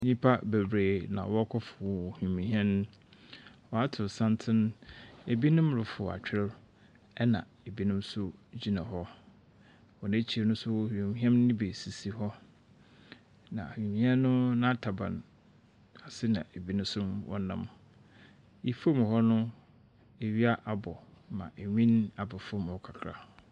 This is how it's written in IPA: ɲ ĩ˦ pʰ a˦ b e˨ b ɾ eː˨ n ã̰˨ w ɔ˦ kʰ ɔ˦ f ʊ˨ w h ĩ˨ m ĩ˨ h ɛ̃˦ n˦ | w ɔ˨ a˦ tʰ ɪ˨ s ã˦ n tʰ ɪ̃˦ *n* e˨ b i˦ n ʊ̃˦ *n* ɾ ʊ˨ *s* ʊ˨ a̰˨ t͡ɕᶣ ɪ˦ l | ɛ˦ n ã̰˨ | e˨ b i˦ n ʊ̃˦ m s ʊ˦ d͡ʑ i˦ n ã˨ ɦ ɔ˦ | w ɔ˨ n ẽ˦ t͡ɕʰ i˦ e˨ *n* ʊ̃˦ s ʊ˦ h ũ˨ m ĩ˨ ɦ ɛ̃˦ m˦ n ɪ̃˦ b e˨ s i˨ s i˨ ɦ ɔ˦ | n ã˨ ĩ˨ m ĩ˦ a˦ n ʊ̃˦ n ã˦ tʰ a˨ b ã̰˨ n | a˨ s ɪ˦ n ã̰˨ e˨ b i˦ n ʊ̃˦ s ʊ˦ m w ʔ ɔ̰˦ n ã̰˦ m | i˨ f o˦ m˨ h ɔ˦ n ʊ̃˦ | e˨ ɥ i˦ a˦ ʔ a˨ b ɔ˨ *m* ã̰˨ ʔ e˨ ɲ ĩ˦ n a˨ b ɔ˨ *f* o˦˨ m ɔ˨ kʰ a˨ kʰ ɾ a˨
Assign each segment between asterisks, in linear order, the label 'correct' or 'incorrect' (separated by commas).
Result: correct, incorrect, incorrect, correct, correct, correct